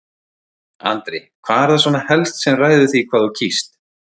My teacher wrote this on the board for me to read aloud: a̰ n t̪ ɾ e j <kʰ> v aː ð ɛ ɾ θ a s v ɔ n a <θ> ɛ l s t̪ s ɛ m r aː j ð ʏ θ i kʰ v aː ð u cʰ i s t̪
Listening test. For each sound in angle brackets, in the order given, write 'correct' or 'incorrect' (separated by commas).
correct, incorrect